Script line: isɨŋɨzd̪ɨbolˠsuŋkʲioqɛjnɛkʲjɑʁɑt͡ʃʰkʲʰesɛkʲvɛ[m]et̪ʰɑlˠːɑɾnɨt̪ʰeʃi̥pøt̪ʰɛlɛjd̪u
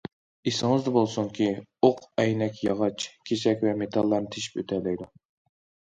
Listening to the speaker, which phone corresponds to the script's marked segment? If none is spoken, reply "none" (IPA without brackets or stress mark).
m